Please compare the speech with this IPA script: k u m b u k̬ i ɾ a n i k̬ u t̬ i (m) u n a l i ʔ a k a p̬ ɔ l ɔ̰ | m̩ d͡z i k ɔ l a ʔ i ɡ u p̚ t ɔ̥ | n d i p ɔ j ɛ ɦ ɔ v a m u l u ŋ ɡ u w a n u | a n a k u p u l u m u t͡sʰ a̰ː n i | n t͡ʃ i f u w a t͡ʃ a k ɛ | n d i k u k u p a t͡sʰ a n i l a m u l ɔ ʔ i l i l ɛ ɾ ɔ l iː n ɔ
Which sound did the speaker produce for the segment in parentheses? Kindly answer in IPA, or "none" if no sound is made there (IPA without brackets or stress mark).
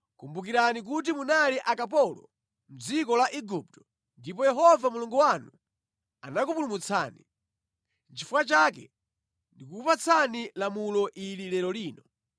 m